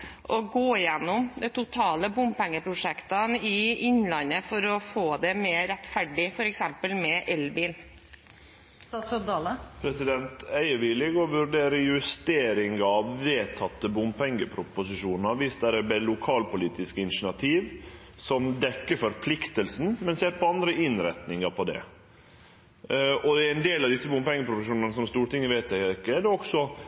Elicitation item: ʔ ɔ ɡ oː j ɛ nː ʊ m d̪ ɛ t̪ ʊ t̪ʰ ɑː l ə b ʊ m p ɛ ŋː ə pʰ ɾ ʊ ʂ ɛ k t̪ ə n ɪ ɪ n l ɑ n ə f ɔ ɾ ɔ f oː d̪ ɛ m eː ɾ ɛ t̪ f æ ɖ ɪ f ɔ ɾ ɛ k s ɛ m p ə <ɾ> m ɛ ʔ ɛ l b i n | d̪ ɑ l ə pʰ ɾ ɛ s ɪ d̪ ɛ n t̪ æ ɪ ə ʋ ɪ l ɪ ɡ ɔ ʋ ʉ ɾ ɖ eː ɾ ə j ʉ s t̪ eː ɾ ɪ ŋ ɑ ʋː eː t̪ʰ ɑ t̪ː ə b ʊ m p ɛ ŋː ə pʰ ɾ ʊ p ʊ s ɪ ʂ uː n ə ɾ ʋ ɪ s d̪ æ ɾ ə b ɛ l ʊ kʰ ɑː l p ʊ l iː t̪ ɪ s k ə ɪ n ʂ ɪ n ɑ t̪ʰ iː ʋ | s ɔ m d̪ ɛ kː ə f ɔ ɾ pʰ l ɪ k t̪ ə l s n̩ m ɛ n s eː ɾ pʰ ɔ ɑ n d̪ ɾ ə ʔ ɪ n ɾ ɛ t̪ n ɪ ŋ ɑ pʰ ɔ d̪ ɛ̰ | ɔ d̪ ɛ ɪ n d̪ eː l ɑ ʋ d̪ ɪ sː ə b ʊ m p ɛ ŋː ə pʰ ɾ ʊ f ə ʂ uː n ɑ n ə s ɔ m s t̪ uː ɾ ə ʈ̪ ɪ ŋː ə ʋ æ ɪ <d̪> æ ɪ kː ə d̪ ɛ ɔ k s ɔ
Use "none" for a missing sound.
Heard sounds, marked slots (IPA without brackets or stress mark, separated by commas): l, t̪